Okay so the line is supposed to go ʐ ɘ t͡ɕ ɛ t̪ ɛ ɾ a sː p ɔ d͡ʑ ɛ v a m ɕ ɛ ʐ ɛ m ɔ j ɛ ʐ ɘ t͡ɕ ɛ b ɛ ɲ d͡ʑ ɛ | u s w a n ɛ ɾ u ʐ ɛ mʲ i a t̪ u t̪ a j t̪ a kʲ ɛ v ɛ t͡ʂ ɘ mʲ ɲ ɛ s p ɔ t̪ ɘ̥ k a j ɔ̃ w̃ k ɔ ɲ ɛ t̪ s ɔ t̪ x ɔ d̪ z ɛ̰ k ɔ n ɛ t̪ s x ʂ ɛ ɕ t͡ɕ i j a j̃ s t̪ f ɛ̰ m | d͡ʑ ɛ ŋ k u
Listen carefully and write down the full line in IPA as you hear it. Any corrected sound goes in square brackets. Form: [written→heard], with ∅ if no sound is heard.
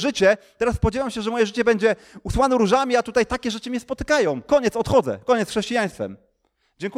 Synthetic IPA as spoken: ʐ ɘ t͡ɕ ɛ t̪ ɛ ɾ a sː p ɔ d͡ʑ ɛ v a m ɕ ɛ ʐ ɛ m ɔ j ɛ ʐ ɘ t͡ɕ ɛ b ɛ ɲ d͡ʑ ɛ | u s w a n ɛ ɾ u ʐ [ɛ→a] mʲ i a t̪ u t̪ a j t̪ a kʲ ɛ [v→ʐ] ɛ t͡ʂ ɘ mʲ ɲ ɛ s p ɔ t̪ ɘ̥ k a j ɔ̃ w̃ k ɔ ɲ ɛ t̪ s ɔ t̪ x ɔ d̪ z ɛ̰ k ɔ [n→ɲ] ɛ t̪ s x ʂ ɛ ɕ t͡ɕ i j a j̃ s t̪ f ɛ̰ m | d͡ʑ ɛ ŋ k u